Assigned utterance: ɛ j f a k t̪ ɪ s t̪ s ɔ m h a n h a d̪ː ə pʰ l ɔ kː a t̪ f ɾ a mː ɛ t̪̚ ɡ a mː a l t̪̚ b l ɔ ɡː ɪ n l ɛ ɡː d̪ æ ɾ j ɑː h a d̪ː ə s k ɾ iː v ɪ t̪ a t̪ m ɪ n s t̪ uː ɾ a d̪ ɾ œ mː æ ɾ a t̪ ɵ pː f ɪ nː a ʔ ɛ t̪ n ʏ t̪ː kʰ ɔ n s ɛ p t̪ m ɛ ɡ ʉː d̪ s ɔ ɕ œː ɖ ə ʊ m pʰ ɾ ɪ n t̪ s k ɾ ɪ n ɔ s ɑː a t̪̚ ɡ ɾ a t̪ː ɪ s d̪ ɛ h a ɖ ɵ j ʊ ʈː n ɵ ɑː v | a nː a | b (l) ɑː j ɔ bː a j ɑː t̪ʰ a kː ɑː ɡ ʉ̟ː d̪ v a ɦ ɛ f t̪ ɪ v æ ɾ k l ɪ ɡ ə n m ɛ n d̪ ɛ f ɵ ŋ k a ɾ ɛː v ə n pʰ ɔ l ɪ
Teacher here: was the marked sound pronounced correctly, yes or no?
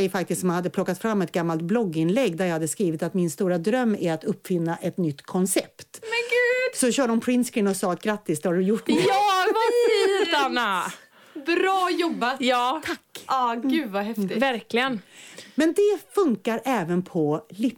no